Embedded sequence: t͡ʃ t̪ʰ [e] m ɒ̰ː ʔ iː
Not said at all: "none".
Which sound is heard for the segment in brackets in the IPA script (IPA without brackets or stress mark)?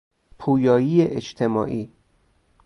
e